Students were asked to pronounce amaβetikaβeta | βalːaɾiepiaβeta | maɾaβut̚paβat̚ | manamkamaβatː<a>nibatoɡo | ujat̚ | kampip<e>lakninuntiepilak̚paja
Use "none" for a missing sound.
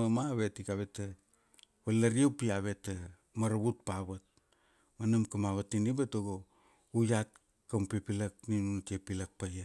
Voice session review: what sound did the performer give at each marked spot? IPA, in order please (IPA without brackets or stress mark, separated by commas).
i, i